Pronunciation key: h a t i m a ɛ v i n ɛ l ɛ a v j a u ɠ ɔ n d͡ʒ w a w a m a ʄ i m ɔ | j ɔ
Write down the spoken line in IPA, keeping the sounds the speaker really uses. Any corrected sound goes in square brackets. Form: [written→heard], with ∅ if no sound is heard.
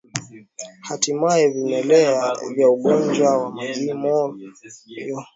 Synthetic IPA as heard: h a t i m a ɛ v i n ɛ l ɛ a v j a u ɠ ɔ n d͡ʒ w a w a m a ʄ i m ɔ | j ɔ